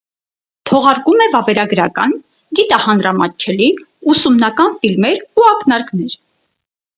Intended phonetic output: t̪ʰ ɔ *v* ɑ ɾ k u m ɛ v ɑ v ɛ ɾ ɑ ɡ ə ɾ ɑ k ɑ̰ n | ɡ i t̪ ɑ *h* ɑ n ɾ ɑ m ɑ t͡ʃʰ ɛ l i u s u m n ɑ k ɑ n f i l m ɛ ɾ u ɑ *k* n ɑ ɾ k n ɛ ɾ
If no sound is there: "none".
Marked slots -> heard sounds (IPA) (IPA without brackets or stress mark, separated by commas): ʁ, h, k